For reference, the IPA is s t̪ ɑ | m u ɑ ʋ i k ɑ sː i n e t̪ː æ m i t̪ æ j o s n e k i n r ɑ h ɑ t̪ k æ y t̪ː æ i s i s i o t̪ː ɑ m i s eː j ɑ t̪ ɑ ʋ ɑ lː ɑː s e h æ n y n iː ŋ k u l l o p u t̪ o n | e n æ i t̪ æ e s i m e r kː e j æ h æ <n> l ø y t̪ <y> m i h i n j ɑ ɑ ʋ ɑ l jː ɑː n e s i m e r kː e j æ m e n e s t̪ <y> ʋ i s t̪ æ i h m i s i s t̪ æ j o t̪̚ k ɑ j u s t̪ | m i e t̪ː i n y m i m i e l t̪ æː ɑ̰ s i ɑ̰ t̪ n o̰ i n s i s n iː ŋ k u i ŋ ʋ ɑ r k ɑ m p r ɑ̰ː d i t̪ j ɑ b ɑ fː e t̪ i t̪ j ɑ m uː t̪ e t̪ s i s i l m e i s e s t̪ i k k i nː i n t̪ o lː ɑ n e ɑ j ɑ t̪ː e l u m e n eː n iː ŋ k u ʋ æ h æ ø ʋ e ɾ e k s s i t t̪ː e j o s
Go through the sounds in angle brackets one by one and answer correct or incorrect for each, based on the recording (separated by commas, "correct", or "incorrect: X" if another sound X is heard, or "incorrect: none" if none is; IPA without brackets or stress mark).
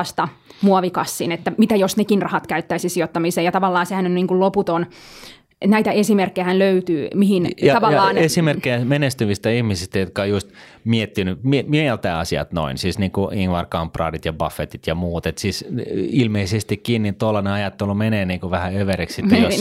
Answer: correct, incorrect: yː, correct